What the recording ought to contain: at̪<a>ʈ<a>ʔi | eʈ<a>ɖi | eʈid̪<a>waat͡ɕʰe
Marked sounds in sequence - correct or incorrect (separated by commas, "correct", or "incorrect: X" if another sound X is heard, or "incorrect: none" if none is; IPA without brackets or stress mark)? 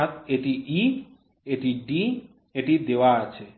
incorrect: e, incorrect: i, incorrect: i, incorrect: e